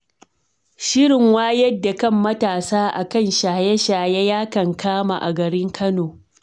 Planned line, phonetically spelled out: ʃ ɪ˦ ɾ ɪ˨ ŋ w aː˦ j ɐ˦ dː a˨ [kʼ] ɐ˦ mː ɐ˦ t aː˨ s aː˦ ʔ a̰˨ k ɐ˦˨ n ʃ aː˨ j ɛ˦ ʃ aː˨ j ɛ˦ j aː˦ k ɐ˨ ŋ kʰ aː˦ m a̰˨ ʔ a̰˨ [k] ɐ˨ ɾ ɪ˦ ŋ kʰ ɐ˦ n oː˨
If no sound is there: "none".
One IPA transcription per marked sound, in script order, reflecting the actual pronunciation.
k, ɡ

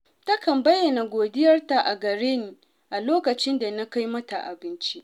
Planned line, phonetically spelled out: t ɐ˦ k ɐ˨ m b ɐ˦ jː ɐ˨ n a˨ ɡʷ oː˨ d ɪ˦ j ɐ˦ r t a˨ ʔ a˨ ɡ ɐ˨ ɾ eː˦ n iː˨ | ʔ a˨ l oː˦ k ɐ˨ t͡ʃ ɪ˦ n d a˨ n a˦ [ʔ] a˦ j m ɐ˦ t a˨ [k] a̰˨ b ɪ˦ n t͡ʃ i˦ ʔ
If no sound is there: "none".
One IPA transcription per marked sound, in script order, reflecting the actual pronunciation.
k, ʔ

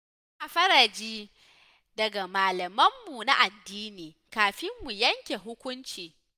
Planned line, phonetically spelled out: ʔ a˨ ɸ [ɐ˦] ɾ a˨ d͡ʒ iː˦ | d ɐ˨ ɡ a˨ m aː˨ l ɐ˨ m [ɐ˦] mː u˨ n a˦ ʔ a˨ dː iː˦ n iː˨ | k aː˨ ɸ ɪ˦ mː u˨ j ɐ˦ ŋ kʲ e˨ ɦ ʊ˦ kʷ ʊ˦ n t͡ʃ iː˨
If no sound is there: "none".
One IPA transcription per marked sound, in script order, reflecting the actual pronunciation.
ɐ˦, ɐ˦

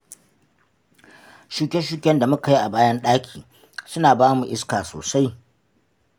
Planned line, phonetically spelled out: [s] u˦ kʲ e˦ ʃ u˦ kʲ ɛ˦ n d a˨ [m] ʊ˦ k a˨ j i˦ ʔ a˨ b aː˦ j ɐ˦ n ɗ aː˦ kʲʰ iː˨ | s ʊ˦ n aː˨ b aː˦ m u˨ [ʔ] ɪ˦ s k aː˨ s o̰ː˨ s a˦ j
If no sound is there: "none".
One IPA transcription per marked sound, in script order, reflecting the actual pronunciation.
ʃ, m, ʔ

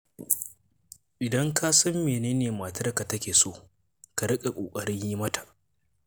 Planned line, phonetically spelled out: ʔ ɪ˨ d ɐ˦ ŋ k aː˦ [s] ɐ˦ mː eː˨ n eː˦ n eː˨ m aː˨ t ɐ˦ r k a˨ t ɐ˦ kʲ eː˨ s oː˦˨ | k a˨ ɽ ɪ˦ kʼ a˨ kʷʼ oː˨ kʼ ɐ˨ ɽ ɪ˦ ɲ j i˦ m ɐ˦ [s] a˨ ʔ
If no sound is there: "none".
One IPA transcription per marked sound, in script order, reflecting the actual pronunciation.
s, t

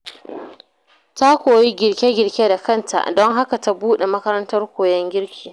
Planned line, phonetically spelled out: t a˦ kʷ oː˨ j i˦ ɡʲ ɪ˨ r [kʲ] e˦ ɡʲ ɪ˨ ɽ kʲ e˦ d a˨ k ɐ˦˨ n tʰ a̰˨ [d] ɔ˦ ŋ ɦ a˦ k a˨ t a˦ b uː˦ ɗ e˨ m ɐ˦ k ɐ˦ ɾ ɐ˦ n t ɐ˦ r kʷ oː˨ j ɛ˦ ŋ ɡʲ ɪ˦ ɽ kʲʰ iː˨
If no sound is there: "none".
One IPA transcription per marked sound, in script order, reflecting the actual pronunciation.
kʲ, d

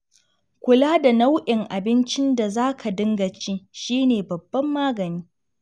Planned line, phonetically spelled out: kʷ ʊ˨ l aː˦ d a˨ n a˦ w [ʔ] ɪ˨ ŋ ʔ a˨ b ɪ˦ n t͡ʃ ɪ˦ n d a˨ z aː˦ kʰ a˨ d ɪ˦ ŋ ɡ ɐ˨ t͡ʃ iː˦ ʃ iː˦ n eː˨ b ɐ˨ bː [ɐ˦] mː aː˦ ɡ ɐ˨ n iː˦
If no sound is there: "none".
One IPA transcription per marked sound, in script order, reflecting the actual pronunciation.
ʔ, ɐ˦

